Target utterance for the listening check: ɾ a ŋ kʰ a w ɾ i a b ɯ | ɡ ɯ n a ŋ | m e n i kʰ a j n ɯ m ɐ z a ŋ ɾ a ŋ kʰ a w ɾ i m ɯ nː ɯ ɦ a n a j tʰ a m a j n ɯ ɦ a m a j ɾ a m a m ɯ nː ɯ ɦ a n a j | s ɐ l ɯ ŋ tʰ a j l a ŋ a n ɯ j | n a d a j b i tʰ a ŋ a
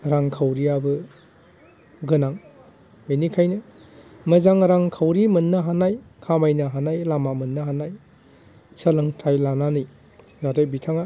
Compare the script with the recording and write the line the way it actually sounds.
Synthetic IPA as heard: ɾ a ŋ kʰ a w ɾ i a b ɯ | ɡ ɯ n a ŋ | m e n i kʰ a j n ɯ m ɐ z a ŋ ɾ a ŋ kʰ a w ɾ i m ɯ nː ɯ ɦ a n a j kʰ a m a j n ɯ ɦ a n a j l a m a m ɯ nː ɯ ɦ a n a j | s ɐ l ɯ ŋ tʰ a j l a n a n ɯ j | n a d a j b i tʰ a ŋ a